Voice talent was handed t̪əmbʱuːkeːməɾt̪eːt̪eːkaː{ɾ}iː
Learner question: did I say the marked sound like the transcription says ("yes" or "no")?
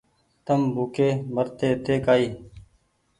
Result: no